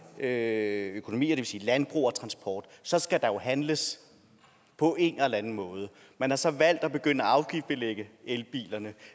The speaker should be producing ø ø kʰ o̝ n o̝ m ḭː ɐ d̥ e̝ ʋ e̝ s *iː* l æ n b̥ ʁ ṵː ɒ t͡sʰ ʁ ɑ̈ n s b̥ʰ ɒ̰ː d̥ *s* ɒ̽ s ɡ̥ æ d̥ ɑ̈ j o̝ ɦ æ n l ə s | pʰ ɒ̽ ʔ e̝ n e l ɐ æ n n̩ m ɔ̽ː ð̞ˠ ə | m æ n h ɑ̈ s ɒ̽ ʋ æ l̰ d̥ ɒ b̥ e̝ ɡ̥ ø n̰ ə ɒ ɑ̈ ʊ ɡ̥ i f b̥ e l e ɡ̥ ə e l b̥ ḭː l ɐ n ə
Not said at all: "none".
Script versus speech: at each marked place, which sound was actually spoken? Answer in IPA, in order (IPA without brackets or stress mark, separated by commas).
iː, s